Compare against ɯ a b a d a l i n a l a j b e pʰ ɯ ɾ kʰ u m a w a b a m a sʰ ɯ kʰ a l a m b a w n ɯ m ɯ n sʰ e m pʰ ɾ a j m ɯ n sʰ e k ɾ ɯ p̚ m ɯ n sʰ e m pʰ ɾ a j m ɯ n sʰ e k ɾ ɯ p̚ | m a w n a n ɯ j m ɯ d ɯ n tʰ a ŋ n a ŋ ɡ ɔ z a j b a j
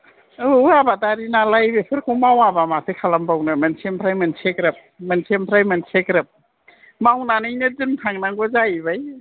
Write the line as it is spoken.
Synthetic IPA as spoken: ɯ a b a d a ɾ i n a l a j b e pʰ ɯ ɾ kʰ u m a w a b a m a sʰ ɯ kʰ a l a m b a w n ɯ m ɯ n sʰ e m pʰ ɾ a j m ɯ n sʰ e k ɾ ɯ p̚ m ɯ n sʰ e m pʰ ɾ a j m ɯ n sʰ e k ɾ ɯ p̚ | m a w n a n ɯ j n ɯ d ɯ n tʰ a ŋ n a ŋ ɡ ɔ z a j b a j